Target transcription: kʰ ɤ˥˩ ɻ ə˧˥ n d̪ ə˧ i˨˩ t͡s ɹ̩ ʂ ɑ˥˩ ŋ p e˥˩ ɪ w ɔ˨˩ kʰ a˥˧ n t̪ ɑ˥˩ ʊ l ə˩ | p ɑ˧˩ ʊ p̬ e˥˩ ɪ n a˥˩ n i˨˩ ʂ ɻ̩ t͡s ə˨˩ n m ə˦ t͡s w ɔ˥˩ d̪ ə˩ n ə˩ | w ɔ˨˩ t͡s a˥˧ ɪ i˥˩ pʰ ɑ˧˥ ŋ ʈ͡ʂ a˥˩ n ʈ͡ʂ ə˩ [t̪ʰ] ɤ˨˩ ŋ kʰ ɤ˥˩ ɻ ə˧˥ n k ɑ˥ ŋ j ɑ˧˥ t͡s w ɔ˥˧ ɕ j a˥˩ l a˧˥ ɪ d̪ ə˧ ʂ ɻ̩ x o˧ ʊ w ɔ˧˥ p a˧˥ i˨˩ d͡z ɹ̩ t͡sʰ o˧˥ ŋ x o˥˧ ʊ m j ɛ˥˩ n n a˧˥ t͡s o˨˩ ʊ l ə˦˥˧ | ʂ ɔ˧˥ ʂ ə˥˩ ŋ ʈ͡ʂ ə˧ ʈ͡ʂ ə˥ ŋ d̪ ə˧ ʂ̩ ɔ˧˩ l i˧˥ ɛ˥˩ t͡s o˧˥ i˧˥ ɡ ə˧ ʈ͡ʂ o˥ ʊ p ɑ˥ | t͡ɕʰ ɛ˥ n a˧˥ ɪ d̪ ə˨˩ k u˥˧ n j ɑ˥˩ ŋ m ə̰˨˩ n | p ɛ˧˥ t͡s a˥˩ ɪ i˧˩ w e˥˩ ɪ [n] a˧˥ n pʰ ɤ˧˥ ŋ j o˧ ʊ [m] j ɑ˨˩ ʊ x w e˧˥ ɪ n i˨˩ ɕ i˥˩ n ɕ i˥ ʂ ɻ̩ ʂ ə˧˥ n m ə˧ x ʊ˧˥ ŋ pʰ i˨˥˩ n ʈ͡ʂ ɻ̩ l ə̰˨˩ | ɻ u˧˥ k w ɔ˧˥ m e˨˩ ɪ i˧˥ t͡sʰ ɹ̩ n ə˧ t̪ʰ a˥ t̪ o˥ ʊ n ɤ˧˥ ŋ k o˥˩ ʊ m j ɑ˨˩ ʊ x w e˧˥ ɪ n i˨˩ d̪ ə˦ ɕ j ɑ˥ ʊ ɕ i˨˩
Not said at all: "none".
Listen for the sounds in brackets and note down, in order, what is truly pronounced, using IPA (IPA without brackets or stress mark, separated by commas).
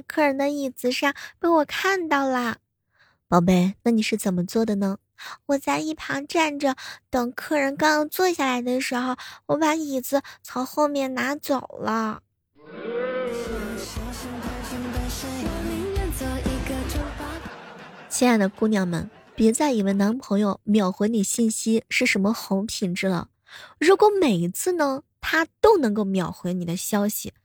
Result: t̪, n, m